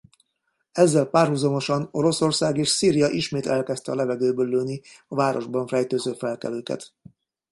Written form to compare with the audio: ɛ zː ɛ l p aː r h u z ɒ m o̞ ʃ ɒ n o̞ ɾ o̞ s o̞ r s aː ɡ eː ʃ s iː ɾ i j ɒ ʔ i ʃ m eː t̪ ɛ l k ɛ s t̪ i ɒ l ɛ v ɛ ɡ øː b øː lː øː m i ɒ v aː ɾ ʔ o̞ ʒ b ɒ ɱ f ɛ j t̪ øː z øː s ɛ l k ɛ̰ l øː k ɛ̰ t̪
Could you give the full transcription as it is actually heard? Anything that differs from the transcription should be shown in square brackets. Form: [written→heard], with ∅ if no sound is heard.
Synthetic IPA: ɛ zː ɛ l p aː r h u z ɒ m o̞ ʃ ɒ n o̞ ɾ o̞ s o̞ r s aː ɡ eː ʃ s iː ɾ i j ɒ ʔ i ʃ m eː t̪ ɛ l k ɛ s t̪ [i→ɛ] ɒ l ɛ v ɛ ɡ øː b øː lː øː [m→n] i ɒ v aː ɾ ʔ o̞ ʒ b ɒ ɱ f ɛ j t̪ øː z øː [s→f] ɛ l k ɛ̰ l øː k ɛ̰ t̪